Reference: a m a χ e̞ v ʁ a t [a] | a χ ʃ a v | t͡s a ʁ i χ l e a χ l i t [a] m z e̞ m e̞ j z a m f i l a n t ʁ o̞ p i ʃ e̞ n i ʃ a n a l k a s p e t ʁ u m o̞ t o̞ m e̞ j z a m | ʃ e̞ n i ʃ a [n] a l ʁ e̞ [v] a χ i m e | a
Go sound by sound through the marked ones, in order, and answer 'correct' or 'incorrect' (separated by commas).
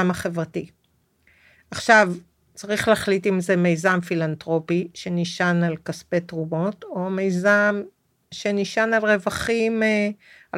incorrect, incorrect, correct, correct